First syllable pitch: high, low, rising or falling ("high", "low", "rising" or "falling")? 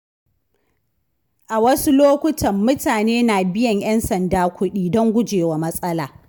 low